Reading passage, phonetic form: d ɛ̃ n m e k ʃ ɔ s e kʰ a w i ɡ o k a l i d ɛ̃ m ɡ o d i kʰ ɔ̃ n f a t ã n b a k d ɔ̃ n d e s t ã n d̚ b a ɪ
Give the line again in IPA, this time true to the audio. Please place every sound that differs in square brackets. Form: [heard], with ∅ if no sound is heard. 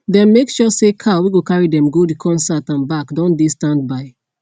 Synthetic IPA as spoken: d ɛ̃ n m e k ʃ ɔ s e kʰ a w i ɡ o k a [ɹ] i d ɛ̃ m ɡ o d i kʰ ɔ̃ n [s] a t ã n b a k d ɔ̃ n d e s t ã n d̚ b a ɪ

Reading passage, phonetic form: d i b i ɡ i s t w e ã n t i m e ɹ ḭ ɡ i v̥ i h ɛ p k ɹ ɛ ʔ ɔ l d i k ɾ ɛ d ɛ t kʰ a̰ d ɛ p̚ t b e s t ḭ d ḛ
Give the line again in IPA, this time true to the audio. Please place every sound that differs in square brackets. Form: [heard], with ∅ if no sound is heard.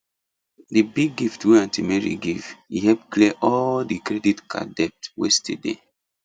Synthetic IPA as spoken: d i b i ɡ i [f] t w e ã n t i m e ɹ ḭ ɡ i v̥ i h ɛ p k [l] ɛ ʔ ɔ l d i k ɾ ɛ d [i] t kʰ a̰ d ɛ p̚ t [w] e s t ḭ d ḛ

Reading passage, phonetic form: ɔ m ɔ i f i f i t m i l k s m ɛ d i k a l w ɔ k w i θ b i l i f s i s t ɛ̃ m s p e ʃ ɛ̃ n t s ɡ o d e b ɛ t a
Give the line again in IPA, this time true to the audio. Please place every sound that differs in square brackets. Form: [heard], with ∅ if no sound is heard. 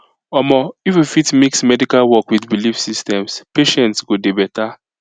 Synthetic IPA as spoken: ɔ m ɔ i f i f i t m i [∅] k s m ɛ d i k a l w ɔ k w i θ b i l i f s i s t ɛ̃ m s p e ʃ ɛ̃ n t s ɡ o d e b ɛ t a

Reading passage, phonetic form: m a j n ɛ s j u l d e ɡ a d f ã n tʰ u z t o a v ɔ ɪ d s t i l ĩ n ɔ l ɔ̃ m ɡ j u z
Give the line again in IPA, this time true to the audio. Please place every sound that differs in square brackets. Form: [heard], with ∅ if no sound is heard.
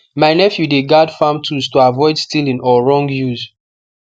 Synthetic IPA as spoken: m a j n ɛ [f] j u [∅] d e ɡ a d f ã [m] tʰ u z t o a v ɔ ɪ d s t i l ĩ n ɔ [ɹ] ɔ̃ [ŋ] ɡ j u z

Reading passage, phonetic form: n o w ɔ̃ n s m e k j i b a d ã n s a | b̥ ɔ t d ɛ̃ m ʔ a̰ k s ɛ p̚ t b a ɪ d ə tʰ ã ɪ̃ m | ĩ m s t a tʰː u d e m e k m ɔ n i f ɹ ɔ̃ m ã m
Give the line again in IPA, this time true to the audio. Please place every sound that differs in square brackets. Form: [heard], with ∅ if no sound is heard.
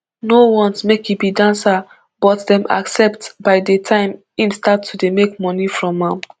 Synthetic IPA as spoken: n o w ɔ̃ n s m e k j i b [i] d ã n s a | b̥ ɔ t d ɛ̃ m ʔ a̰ k s ɛ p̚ t b a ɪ d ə tʰ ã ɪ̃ m | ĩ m s t a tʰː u d e m e k m ɔ n i f ɹ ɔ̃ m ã m

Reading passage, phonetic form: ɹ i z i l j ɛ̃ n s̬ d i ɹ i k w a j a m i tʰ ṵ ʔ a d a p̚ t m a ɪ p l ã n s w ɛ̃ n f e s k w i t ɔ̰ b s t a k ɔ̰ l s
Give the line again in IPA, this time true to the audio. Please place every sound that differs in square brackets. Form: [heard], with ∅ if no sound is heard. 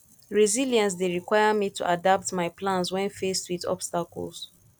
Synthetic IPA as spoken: ɹ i z i l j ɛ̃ n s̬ d [e] ɹ i k w a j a m i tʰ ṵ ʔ a d a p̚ t m a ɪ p l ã n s w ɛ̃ n f e s [t] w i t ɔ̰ b s t a k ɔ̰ l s

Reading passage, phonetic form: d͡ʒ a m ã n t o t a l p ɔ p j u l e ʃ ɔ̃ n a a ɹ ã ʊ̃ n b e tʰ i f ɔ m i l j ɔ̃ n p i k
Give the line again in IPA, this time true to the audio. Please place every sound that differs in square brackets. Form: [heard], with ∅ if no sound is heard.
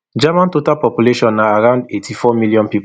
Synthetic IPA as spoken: d͡ʒ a m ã n t o t a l p ɔ p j u l e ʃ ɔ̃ n a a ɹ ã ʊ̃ n [d] e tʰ i f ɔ m i l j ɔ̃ n p i [p]

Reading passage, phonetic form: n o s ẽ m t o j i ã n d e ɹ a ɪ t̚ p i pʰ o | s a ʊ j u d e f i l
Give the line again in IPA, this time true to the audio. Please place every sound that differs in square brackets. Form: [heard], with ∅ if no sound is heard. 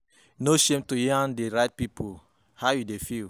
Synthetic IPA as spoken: n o [ʃ] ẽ m t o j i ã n d e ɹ a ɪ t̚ p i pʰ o | [h] a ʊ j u d e f i l

